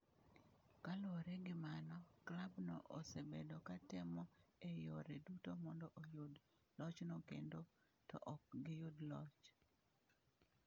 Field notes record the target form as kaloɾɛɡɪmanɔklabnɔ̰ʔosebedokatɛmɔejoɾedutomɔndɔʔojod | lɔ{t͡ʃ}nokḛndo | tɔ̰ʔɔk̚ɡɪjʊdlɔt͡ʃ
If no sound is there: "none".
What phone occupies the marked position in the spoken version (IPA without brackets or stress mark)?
t͡ʃ